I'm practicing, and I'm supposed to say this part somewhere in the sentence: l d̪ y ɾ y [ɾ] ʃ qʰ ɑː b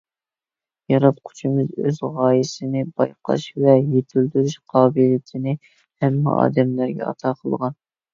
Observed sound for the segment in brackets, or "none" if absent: none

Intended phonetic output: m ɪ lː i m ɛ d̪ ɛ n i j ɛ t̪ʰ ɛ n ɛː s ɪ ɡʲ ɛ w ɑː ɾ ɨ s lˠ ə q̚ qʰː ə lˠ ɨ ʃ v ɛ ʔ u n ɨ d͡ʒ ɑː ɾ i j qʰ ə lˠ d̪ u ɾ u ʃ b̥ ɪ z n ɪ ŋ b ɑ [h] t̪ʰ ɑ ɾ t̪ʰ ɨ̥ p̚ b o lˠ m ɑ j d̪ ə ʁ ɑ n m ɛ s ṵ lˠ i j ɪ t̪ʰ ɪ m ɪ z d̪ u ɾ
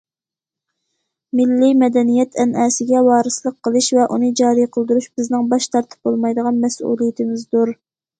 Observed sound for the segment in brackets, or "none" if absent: ʃ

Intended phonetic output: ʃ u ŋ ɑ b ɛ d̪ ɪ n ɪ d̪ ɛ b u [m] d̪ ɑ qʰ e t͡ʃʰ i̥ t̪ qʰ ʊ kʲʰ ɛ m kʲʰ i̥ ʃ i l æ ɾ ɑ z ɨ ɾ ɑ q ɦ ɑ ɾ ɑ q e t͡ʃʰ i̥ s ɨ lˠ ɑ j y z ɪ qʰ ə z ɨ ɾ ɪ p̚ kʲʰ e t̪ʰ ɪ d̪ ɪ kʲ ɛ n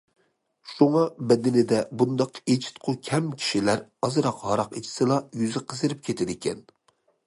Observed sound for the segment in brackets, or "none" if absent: n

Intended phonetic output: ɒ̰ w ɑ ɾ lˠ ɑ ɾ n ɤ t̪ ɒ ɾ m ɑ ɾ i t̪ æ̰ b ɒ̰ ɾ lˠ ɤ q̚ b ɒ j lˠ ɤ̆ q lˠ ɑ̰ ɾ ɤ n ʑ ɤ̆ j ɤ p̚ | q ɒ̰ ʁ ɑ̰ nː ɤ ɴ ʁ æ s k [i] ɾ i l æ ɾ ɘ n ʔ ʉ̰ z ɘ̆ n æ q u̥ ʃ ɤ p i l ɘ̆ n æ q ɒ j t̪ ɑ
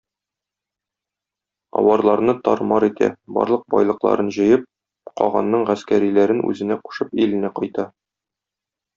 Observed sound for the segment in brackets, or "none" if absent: æ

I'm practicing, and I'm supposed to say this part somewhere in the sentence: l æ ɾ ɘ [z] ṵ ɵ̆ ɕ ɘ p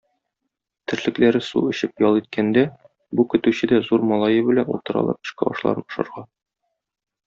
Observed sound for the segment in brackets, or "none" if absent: s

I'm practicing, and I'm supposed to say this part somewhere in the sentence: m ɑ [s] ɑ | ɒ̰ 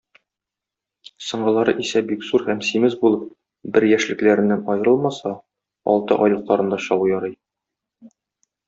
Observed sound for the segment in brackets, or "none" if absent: s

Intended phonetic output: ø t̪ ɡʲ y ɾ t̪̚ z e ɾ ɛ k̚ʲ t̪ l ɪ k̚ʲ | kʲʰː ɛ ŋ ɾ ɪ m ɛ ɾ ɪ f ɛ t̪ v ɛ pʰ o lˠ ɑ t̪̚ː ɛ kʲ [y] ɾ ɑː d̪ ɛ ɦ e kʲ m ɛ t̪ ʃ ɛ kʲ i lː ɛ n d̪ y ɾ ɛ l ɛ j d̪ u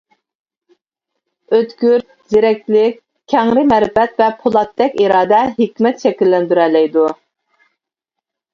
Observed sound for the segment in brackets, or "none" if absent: i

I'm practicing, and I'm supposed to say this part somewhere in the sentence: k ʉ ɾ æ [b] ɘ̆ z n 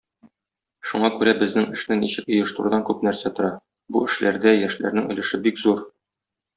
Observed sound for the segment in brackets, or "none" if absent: b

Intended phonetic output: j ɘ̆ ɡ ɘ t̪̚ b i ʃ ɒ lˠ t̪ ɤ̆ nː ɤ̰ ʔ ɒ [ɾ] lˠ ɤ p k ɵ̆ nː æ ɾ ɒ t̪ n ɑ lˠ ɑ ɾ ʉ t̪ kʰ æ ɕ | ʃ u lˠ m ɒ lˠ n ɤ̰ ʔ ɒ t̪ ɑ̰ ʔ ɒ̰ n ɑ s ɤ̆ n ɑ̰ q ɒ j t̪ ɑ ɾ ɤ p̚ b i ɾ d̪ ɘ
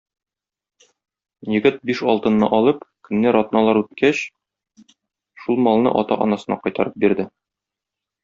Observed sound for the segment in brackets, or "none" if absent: none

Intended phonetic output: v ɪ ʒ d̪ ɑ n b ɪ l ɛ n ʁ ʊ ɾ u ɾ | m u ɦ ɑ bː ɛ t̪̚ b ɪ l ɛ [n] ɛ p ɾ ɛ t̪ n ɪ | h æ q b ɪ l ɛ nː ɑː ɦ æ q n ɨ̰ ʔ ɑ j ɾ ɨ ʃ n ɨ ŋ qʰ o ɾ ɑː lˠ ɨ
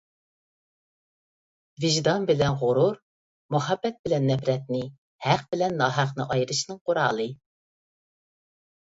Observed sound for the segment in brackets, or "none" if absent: nː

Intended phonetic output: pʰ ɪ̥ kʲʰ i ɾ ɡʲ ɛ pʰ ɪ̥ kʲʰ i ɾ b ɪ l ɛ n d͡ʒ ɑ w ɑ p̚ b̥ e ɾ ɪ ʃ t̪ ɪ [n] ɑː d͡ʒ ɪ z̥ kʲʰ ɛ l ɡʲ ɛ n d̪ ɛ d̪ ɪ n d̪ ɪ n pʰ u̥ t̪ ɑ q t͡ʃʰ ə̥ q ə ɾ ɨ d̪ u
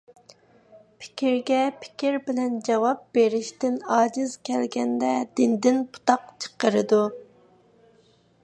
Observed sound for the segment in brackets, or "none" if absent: n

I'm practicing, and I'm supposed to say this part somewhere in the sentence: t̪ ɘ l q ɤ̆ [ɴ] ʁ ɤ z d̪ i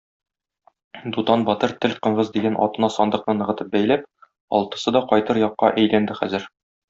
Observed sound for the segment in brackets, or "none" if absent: ɴ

